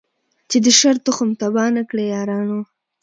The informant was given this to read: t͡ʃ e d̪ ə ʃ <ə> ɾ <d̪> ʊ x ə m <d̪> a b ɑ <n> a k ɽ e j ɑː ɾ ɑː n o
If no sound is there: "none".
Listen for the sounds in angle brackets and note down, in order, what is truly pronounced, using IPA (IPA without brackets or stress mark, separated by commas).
a, t̪, t̪, n